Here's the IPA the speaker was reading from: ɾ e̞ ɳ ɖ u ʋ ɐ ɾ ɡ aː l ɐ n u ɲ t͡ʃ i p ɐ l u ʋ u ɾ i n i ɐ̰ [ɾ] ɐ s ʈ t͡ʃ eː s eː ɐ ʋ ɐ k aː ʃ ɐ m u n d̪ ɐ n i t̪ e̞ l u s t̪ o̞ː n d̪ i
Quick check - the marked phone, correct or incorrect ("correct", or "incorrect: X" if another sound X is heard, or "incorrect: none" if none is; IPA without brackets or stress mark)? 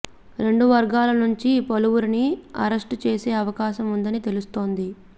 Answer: correct